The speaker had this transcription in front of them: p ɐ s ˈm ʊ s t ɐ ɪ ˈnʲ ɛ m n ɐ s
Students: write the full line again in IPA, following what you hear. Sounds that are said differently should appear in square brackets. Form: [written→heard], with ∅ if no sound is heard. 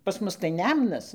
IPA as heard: p ɐ s ˈm ʊ s t ɐ ɪ ˈnʲ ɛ m n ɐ s